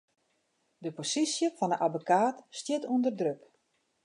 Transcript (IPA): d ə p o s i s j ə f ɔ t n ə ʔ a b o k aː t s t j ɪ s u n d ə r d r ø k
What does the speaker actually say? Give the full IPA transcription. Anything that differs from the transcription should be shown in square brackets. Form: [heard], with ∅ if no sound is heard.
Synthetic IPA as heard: d ə p o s i s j ə f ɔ [∅] n ə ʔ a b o k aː t s t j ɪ [t] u n d ə r d r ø k